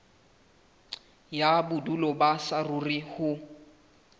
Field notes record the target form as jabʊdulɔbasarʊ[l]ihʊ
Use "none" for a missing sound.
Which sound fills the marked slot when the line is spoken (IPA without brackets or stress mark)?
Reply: r